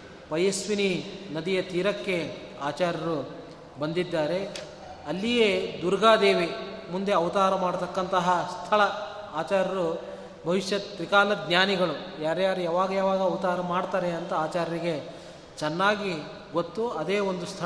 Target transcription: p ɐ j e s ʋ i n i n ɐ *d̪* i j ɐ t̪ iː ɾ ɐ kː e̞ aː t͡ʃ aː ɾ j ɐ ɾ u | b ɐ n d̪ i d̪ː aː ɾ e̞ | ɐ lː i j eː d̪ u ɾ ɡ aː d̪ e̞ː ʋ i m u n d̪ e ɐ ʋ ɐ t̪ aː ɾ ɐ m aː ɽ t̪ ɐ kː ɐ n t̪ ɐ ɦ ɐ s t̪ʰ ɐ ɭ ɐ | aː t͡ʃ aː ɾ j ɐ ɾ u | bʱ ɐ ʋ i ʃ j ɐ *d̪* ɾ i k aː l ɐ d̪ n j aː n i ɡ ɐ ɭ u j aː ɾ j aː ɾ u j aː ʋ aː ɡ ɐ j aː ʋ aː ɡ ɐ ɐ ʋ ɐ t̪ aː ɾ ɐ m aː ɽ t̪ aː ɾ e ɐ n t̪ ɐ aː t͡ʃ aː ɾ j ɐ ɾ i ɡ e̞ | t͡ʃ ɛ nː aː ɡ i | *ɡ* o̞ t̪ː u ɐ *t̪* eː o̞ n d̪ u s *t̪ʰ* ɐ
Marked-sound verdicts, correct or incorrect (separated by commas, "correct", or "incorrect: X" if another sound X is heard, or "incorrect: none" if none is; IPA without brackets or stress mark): correct, incorrect: t̪, correct, incorrect: d̪, correct